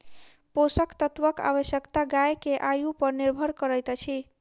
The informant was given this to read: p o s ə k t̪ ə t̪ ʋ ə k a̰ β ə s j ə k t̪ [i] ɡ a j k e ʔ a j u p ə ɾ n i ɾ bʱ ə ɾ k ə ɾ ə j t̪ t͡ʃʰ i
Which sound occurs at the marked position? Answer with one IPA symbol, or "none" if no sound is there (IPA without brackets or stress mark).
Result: a